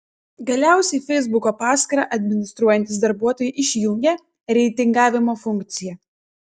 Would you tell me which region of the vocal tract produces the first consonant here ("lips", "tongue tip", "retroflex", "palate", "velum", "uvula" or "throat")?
velum